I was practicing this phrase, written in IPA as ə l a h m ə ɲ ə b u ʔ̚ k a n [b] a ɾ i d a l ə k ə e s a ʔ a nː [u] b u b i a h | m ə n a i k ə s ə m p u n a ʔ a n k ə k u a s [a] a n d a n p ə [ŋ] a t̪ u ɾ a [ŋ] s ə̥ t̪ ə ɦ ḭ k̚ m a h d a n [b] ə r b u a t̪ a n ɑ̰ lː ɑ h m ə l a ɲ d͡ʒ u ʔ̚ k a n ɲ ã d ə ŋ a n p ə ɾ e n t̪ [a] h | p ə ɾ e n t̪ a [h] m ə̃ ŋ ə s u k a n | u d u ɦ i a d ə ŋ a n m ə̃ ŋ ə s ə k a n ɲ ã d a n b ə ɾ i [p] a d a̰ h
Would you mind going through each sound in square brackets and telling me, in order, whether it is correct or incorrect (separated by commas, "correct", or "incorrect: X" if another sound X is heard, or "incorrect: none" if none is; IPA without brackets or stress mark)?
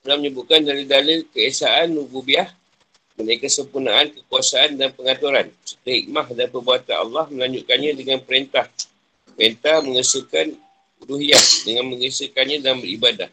incorrect: d, correct, correct, correct, incorrect: n, incorrect: p, correct, correct, incorrect: b